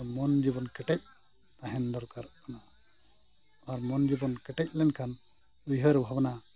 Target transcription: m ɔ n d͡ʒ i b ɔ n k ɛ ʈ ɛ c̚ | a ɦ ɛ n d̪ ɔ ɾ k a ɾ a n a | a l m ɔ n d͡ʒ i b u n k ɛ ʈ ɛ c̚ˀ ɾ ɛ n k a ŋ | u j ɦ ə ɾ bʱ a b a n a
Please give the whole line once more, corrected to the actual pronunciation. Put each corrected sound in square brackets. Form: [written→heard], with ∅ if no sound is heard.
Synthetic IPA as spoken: m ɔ n d͡ʒ i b ɔ n k ɛ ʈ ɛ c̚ | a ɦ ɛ n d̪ ɔ ɾ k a ɾ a n a | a [l→ɾ] m ɔ n d͡ʒ i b [u→ɔ] n k ɛ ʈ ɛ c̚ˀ [ɾ→l] ɛ n [k→kʰ] a [ŋ→n] | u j ɦ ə ɾ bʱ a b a n a